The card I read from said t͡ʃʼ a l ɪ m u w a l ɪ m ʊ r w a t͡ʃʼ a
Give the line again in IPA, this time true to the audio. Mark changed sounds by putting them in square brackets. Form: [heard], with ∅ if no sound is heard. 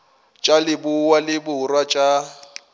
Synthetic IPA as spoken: t͡ʃʼ a l ɪ [b] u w a l ɪ [b] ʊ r w a t͡ʃʼ a